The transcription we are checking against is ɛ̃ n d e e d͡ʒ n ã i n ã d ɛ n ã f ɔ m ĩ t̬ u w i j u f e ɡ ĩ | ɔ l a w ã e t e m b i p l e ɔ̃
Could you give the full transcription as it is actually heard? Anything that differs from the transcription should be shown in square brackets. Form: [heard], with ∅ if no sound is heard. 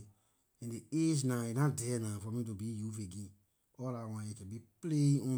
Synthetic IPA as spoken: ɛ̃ n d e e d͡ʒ n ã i n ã d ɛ n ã f ɔ m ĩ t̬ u [b] i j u f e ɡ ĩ | ɔ l a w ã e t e [∅] b i p l e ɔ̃